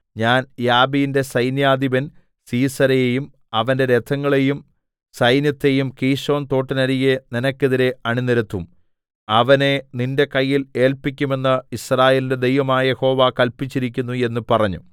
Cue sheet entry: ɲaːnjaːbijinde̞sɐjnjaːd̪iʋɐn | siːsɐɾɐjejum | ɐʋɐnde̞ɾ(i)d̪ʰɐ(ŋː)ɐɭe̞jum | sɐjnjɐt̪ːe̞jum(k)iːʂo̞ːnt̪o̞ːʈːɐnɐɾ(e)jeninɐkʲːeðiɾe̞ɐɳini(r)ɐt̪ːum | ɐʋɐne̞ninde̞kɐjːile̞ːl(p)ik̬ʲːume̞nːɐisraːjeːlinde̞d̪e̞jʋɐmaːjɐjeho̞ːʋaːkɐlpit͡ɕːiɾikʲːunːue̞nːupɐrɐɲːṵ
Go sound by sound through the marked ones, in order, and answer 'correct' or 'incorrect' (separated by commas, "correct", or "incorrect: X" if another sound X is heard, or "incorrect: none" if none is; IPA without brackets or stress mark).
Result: incorrect: e, correct, correct, incorrect: i, incorrect: ɾ, correct